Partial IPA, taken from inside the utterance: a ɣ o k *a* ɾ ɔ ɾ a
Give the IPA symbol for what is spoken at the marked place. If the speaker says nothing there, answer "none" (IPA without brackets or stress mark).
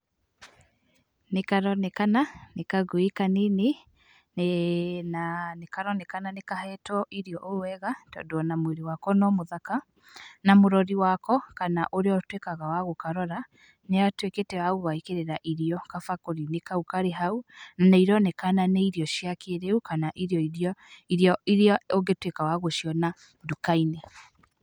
a